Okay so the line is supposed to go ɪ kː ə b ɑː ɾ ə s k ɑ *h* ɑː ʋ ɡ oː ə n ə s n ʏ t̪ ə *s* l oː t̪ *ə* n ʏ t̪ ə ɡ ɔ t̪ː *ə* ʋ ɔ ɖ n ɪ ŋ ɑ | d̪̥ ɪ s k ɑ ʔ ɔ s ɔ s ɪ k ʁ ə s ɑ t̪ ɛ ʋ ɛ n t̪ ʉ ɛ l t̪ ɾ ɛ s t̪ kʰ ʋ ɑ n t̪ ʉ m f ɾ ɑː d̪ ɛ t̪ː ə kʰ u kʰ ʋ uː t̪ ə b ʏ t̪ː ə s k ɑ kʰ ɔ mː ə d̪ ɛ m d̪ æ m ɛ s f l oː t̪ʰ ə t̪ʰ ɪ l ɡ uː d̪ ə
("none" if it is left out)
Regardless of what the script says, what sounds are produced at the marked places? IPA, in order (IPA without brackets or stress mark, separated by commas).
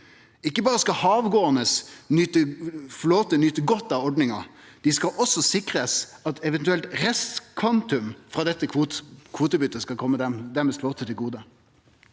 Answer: h, f, ə, ɑ